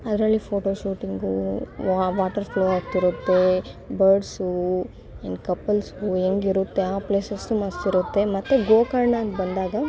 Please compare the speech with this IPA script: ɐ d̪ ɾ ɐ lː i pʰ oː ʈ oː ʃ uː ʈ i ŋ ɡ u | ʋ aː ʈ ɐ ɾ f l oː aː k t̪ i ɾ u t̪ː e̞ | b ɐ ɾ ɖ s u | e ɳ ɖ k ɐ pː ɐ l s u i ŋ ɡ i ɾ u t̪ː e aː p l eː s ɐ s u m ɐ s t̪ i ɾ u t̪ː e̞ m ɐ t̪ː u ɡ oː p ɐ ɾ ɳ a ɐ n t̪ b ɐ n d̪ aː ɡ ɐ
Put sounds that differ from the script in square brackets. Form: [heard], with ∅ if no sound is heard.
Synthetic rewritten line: ɐ d̪ ɾ ɐ lː i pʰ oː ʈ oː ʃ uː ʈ i ŋ ɡ u | ʋ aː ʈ ɐ ɾ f l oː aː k t̪ i ɾ u t̪ː e̞ | b ɐ ɾ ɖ s u | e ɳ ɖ k ɐ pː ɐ l s u [e] ŋ ɡ i ɾ u t̪ː e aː p l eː s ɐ s u m ɐ s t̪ i ɾ u t̪ː e̞ m ɐ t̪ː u ɡ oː [k] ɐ ɾ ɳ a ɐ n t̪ b ɐ n d̪ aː ɡ ɐ

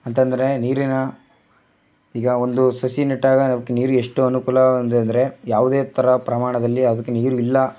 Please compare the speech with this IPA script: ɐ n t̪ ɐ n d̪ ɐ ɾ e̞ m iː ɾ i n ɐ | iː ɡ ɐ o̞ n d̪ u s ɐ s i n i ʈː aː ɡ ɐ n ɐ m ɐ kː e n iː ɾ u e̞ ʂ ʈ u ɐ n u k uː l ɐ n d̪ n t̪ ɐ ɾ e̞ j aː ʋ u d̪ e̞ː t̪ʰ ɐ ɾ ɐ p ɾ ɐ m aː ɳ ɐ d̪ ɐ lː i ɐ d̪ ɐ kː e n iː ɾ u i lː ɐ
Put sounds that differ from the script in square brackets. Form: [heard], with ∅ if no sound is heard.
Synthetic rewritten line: ɐ n t̪ ɐ n d̪ ɐ ɾ e̞ [n] iː ɾ i n ɐ | iː ɡ ɐ o̞ n d̪ u s ɐ s i n i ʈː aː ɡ ɐ n ɐ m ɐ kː e n iː ɾ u e̞ ʂ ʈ u ɐ n u k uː l ɐ n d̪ n [d̪] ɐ ɾ e̞ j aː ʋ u d̪ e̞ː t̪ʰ ɐ ɾ ɐ p ɾ ɐ m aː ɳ ɐ d̪ ɐ lː i ɐ d̪ ɐ kː e n iː ɾ u i lː ɐ

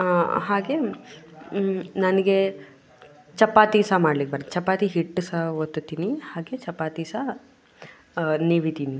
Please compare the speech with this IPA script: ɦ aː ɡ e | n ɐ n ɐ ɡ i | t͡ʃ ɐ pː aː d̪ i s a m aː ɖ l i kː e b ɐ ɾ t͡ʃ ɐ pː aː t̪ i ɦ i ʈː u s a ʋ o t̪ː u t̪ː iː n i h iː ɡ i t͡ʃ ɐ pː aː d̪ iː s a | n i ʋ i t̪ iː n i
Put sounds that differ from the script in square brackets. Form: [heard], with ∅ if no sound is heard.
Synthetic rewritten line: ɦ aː ɡ e | n ɐ n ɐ ɡ [e] | t͡ʃ ɐ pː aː [t̪] i s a m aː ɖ l i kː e b ɐ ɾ t͡ʃ ɐ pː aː t̪ i ɦ i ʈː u s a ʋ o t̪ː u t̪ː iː n i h [aː] ɡ [e] t͡ʃ ɐ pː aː [t̪] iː s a | n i ʋ i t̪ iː n i

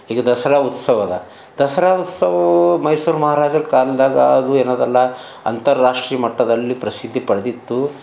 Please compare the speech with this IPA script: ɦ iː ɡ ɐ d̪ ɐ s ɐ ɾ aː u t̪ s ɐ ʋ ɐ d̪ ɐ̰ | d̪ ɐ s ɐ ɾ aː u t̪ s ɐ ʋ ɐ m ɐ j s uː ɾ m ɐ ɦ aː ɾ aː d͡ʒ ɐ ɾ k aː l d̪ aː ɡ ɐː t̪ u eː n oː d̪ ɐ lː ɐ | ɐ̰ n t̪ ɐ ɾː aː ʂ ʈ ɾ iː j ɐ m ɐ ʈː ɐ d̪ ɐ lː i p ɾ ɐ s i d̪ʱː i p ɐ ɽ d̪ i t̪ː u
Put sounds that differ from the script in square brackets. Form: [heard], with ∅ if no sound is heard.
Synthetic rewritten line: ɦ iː ɡ ɐ d̪ ɐ s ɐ ɾ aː u t̪ s ɐ ʋ ɐ d̪ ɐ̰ | d̪ ɐ s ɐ ɾ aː u t̪ s ɐ ʋ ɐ m ɐ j s uː ɾ m ɐ ɦ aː ɾ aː d͡ʒ ɐ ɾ k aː l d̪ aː ɡ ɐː [d̪] u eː n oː d̪ ɐ lː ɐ | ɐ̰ n t̪ ɐ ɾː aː ʂ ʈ ɾ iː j ɐ m ɐ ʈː ɐ d̪ ɐ lː i p ɾ ɐ s i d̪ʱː i p ɐ ɽ d̪ i t̪ː u

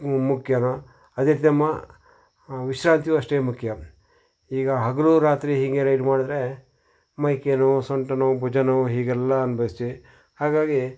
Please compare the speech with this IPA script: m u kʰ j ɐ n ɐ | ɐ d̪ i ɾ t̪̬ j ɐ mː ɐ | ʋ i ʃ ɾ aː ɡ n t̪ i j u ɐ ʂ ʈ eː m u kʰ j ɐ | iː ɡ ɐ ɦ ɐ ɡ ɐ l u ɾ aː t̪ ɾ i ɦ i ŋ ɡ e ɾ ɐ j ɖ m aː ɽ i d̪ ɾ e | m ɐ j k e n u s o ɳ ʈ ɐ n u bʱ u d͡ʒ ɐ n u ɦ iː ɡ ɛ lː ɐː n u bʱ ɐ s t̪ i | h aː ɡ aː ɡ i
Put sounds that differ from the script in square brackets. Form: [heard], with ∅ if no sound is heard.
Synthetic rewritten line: m u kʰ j ɐ n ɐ | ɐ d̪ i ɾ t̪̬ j ɐ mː ɐ | ʋ i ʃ ɾ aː [∅] n t̪ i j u ɐ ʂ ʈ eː m u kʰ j ɐ | iː ɡ ɐ ɦ ɐ ɡ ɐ l u ɾ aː t̪ ɾ i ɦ i ŋ ɡ e ɾ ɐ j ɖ m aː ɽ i d̪ ɾ e | m ɐ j k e n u s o ɳ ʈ ɐ n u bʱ u d͡ʒ ɐ n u ɦ iː ɡ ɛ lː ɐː n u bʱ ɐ s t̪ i | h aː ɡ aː ɡ i

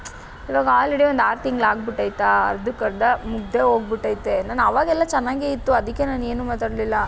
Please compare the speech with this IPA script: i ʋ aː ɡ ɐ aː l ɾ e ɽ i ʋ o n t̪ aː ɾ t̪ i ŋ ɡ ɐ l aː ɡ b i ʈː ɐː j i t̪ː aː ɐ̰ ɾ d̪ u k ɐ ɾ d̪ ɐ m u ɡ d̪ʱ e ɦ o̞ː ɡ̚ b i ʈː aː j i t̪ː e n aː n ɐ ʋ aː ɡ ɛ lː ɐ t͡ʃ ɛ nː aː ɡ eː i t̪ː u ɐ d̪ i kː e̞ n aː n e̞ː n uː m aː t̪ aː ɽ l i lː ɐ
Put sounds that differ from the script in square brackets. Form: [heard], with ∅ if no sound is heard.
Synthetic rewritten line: i ʋ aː ɡ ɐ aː l ɾ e ɽ i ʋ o n [d̪] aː ɾ t̪ i ŋ ɡ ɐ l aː ɡ b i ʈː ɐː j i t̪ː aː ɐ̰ ɾ d̪ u k ɐ ɾ d̪ ɐ m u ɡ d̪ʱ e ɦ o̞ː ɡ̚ b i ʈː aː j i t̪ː e n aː n ɐ ʋ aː ɡ ɛ lː ɐ t͡ʃ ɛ nː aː ɡ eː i t̪ː u ɐ d̪ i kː e̞ n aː n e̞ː n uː m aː t̪ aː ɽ l i lː ɐ

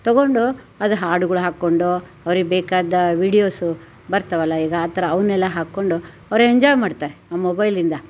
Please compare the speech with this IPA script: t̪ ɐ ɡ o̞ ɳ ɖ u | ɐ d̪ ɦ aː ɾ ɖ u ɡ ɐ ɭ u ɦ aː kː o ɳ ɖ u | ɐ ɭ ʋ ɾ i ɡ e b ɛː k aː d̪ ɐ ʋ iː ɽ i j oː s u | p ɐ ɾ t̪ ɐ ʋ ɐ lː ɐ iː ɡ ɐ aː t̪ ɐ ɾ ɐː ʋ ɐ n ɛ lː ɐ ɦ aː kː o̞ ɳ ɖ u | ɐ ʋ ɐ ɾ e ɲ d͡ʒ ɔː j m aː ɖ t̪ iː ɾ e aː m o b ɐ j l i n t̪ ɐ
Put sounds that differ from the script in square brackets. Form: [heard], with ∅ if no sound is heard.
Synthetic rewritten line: t̪ ɐ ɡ o̞ ɳ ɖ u | ɐ d̪ ɦ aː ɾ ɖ u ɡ ɐ ɭ u ɦ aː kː o ɳ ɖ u | ɐ [∅] ʋ ɾ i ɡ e b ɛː k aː d̪ ɐ ʋ iː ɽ i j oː s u | [b] ɐ ɾ t̪ ɐ ʋ ɐ lː ɐ iː ɡ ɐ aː t̪ ɐ ɾ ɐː ʋ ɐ n ɛ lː ɐ ɦ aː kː o̞ ɳ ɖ u | ɐ ʋ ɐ ɾ e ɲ d͡ʒ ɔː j m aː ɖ t̪ [aː] ɾ e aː m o b ɐ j l i n [d̪] ɐ

